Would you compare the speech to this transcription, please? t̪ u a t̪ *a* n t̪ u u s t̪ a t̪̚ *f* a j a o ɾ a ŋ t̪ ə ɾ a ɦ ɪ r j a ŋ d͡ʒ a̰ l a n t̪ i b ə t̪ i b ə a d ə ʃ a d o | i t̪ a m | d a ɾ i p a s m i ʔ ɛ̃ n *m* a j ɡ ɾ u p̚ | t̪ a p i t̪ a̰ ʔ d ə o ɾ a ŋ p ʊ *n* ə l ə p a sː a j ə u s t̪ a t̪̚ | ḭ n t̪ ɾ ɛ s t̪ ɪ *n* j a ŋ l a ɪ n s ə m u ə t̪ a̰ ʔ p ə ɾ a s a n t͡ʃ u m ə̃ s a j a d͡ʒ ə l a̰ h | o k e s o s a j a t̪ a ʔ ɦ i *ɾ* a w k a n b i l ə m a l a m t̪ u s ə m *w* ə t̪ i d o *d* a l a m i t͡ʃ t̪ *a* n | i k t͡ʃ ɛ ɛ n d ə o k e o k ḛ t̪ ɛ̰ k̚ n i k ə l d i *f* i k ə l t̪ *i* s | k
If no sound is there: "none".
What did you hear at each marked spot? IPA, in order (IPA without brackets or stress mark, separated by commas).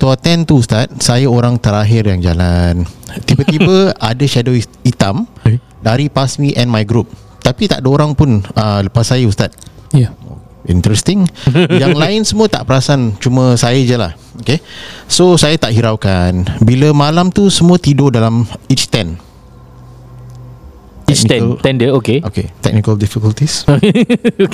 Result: ɛ, s, m, n, ŋ, ɾ, u, d, ɛ, f, i